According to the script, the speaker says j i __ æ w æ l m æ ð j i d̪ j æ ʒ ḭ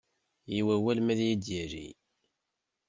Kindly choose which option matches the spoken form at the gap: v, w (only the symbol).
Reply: w